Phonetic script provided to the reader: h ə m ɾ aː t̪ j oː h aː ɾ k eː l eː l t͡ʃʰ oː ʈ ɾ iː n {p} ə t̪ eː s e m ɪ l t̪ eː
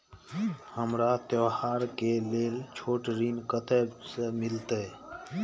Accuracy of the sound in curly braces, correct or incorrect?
incorrect